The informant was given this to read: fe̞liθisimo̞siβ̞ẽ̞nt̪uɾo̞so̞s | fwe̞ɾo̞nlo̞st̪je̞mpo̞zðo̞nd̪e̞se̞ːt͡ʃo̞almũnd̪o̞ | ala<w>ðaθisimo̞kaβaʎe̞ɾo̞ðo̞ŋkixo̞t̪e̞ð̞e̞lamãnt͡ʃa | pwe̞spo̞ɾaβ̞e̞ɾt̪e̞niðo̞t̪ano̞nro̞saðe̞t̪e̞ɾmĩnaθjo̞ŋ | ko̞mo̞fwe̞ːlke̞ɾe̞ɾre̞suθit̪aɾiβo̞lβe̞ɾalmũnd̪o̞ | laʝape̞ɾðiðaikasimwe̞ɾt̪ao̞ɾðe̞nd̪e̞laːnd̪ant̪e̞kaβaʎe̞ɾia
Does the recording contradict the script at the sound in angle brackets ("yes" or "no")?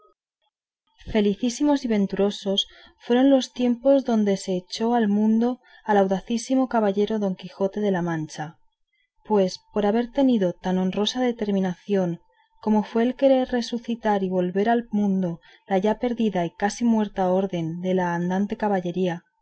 no